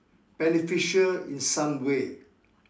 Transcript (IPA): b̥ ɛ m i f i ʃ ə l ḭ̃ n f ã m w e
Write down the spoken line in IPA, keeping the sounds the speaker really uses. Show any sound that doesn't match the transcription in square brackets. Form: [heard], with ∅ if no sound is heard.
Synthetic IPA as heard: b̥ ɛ [n] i f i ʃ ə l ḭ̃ n [s] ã m w e